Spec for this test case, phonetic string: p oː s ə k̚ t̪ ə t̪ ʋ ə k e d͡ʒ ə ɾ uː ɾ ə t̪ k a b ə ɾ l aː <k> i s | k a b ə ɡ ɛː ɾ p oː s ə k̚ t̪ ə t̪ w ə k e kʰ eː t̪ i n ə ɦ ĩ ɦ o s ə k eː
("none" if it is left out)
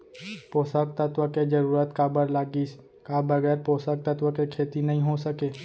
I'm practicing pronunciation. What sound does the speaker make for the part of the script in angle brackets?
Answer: ɡ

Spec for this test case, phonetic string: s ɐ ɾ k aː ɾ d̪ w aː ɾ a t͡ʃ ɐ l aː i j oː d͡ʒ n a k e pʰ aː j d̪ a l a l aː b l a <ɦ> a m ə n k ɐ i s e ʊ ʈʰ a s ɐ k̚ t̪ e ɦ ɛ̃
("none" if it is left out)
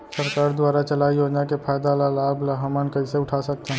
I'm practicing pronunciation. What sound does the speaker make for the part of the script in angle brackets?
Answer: ɦ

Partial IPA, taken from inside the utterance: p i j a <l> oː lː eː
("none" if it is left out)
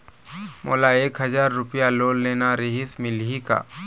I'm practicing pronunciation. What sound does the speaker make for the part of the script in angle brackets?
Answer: l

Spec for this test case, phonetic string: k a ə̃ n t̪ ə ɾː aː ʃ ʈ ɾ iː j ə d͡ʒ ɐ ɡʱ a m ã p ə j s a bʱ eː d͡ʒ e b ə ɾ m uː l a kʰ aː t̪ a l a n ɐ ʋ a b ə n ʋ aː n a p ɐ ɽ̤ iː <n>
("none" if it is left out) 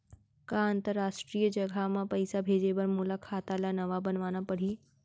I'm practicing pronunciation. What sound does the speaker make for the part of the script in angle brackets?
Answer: none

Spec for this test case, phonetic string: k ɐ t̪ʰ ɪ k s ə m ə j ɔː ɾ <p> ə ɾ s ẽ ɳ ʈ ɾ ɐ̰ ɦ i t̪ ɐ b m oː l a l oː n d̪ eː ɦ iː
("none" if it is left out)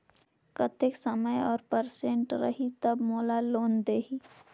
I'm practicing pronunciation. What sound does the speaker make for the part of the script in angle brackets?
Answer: p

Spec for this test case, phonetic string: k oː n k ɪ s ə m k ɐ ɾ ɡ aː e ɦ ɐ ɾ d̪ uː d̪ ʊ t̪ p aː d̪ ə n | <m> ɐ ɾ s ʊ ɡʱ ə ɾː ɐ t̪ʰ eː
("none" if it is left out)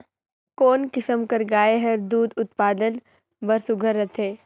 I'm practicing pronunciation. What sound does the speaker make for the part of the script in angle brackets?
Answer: b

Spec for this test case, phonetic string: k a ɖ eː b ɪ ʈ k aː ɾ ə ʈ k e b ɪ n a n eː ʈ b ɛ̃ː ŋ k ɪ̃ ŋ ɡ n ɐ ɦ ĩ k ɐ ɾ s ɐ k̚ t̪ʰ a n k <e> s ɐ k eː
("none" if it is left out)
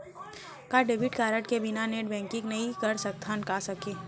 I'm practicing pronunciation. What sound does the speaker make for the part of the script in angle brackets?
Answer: a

